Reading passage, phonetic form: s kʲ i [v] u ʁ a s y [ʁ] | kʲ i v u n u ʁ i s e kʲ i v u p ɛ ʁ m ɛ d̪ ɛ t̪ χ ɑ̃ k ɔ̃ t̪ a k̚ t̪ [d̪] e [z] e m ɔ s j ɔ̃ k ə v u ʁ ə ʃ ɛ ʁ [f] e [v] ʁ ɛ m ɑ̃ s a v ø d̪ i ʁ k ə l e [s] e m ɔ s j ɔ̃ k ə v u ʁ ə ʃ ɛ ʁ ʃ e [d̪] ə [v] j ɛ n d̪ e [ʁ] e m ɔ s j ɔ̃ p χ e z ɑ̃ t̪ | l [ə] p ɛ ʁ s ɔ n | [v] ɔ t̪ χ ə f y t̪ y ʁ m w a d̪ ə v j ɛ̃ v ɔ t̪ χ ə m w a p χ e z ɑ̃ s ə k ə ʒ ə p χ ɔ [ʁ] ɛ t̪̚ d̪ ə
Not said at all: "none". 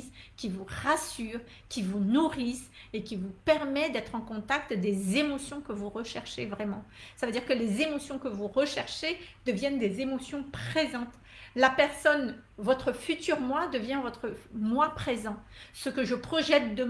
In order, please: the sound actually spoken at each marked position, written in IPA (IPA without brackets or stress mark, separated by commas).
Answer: v, ʁ, d̪, z, ʃ, v, z, d̪, v, z, a, v, ʒ